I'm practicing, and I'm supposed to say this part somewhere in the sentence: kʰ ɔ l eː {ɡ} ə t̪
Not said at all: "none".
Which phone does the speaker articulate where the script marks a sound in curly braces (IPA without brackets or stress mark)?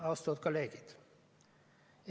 ɡ